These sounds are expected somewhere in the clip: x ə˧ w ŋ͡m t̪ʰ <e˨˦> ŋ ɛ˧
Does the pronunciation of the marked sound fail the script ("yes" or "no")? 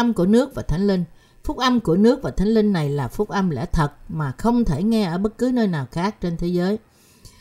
yes